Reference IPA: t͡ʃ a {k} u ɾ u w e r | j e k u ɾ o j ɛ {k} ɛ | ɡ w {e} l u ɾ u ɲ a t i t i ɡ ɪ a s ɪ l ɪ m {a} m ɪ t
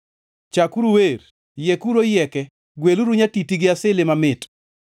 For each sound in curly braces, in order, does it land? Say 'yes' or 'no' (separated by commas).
yes, yes, yes, yes